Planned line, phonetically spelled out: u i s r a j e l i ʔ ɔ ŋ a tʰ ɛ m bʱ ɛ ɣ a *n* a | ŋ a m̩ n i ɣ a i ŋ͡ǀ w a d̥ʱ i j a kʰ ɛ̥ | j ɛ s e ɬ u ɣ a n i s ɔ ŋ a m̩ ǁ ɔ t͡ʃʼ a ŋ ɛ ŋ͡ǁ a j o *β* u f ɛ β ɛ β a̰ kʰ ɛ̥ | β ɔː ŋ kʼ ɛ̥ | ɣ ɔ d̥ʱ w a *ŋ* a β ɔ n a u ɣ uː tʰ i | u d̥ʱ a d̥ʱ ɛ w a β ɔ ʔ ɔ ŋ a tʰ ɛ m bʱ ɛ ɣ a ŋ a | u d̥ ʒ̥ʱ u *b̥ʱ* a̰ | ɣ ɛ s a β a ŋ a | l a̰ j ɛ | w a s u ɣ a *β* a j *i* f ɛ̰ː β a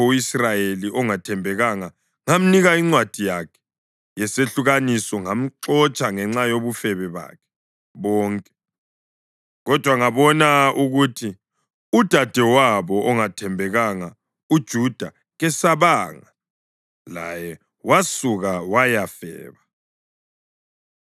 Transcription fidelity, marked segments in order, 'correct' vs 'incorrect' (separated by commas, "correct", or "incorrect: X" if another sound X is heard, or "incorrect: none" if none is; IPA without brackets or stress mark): incorrect: ŋ, correct, correct, incorrect: d̥ʱ, incorrect: w, incorrect: a